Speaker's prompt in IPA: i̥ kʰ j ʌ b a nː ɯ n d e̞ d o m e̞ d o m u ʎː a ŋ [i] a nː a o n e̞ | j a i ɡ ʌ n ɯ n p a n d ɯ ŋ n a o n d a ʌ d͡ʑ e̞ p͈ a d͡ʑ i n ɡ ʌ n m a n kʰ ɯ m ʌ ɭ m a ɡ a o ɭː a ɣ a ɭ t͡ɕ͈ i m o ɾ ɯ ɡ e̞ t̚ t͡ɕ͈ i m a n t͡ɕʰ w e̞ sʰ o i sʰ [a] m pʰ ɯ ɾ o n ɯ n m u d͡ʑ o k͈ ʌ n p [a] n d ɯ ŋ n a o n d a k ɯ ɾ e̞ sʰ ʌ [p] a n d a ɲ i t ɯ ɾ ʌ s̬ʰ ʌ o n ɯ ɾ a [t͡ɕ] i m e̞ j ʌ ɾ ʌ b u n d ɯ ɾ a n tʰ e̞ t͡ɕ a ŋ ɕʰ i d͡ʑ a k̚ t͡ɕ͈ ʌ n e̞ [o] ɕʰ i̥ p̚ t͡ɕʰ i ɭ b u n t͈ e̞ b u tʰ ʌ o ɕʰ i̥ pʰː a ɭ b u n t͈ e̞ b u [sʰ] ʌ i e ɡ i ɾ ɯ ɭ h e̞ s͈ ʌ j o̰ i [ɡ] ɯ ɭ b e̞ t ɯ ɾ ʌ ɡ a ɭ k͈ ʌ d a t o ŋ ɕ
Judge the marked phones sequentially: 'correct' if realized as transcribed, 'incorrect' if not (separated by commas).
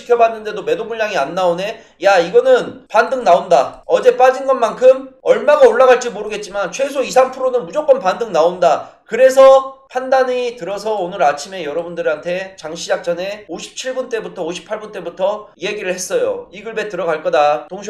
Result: correct, correct, correct, incorrect, incorrect, correct, incorrect, correct